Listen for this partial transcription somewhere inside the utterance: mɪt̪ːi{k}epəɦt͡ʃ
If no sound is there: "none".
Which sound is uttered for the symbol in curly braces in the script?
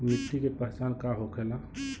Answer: k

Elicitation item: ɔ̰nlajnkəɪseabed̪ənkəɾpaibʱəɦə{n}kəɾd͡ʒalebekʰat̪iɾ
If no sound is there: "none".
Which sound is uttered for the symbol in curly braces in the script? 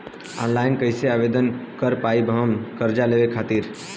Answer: m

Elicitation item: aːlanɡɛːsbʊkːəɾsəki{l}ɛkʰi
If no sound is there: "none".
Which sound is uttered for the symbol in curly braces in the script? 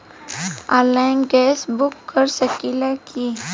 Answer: l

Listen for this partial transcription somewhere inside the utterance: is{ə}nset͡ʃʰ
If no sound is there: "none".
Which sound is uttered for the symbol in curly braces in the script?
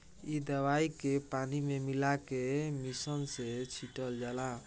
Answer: ə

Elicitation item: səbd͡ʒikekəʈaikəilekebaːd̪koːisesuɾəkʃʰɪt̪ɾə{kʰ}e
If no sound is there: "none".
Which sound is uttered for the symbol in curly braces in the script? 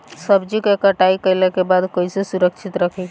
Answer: kʰ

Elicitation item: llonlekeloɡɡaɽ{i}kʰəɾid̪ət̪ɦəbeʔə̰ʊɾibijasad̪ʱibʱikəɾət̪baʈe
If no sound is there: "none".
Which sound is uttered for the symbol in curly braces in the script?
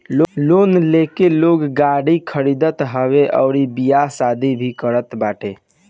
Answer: i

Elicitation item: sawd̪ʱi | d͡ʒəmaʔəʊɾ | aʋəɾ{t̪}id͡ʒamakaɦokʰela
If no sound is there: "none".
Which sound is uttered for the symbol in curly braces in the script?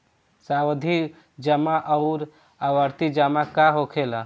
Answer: t̪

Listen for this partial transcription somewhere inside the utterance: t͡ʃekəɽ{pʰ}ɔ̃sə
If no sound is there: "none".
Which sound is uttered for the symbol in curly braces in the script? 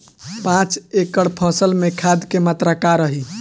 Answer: pʰ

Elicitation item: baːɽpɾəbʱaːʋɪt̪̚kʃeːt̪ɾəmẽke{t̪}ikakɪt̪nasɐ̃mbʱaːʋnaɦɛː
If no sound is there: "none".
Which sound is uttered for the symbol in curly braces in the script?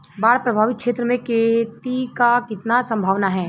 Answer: t̪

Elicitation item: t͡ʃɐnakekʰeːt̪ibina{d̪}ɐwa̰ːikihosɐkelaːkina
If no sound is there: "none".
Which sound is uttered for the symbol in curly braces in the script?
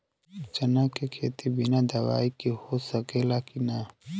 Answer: d̪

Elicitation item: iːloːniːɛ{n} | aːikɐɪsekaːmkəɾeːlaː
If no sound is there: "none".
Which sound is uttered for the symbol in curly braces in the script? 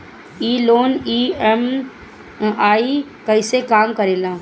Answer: m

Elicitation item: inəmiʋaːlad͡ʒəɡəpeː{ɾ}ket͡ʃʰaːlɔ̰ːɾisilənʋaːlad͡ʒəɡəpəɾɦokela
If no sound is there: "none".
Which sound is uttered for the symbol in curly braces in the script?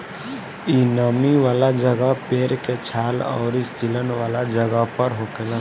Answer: ɾ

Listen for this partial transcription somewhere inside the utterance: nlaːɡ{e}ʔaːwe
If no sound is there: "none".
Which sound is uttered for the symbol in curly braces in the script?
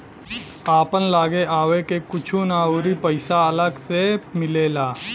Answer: e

